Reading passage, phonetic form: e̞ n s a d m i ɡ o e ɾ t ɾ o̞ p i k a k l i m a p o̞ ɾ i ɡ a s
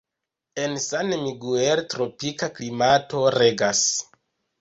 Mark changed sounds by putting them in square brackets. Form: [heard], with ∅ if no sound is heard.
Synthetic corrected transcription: e̞ n s a [n] m i ɡ [u] e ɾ t ɾ o̞ p i k a k l i m a [t] o̞ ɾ [e] ɡ a s